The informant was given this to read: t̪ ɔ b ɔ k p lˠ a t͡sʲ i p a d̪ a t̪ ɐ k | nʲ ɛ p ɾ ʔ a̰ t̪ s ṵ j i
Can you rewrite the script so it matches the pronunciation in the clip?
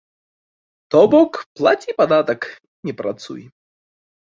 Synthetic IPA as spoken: t̪ ɔ b ɔ k p lˠ a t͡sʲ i p a d̪ a t̪ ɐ k | nʲ ɛ p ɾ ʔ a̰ t̪ s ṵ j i